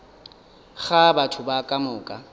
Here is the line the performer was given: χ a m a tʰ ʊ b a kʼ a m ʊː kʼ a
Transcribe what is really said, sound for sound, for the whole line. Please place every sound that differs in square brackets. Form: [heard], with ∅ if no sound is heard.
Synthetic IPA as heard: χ a [b] a tʰ ʊ b a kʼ a m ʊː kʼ a